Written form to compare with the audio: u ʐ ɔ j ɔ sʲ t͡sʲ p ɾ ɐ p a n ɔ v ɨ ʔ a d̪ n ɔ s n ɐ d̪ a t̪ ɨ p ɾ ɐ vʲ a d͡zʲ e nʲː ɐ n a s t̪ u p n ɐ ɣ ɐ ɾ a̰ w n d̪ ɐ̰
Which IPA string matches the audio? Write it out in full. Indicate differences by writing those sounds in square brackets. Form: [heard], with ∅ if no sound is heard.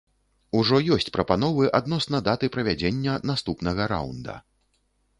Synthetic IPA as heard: u ʐ ɔ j ɔ sʲ t͡sʲ p ɾ ɐ p a n ɔ v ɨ ʔ a d̪ n ɔ s n ɐ d̪ a t̪ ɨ p ɾ ɐ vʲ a d͡zʲ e nʲː ɐ n a s t̪ u p n ɐ ɣ ɐ ɾ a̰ w n d̪ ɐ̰